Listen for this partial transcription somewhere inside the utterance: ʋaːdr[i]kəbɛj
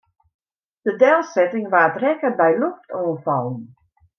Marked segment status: incorrect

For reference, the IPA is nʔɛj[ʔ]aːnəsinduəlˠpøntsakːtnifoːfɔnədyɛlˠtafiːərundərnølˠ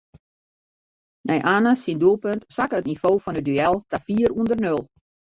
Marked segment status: correct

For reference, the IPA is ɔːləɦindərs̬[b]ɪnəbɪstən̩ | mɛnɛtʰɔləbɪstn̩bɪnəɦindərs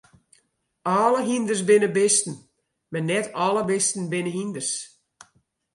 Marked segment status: correct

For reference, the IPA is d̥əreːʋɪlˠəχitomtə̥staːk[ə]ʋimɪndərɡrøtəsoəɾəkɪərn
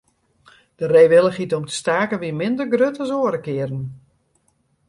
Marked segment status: correct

